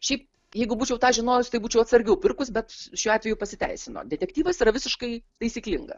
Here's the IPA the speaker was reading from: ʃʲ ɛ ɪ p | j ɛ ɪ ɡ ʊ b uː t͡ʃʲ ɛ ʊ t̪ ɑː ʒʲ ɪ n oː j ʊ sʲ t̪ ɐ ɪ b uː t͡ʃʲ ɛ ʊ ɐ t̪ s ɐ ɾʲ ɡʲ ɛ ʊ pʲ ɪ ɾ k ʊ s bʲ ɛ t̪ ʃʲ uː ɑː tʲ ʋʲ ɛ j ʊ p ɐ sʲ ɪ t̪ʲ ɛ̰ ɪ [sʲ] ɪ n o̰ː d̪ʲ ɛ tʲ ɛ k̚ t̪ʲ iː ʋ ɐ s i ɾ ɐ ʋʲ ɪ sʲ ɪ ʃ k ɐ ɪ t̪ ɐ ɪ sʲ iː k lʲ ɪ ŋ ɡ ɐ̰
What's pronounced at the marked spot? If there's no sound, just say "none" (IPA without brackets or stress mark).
sʲ